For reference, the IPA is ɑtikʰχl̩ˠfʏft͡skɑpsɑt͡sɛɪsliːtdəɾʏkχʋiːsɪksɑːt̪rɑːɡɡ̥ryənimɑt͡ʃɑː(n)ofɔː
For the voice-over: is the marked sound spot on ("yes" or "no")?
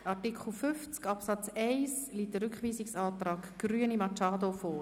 no